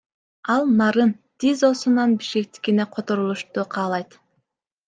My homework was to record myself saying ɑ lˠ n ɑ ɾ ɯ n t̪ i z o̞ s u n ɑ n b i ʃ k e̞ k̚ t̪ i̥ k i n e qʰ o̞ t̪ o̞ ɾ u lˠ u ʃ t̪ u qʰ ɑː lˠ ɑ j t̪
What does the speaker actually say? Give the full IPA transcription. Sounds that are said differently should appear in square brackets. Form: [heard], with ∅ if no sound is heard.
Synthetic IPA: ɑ lˠ n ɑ ɾ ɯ n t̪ i z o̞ s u n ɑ n b i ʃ k e̞ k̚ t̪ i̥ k i n e qʰ o̞ t̪ o̞ ɾ u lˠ u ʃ t̪ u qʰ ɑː lˠ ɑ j t̪